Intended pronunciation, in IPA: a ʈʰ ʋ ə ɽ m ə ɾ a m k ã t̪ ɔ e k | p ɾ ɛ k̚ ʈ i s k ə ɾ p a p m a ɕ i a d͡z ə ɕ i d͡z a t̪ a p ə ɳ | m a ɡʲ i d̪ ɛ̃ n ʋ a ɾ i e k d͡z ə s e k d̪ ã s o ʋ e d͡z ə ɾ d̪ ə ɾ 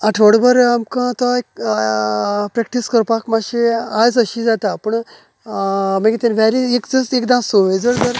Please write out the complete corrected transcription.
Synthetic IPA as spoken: a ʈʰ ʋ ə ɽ b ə ɾ a m k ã t̪ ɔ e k | p ɾ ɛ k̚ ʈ i s k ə ɾ p a k m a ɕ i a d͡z ə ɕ i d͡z a t̪ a p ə ɳ | m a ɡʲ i t̪ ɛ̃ n ʋ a ɾ i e k d͡z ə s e k d̪ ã s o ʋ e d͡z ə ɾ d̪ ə ɾ